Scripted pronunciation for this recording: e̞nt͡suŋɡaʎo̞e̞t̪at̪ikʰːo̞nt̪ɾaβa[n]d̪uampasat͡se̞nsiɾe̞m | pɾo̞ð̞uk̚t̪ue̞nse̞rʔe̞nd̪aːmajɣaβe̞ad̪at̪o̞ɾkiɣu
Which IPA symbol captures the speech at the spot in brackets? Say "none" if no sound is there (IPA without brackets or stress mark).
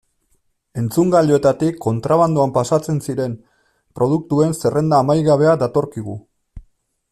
n